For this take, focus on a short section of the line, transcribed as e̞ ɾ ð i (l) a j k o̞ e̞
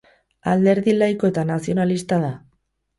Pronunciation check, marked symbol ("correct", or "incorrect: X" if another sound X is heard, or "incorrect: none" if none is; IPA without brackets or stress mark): correct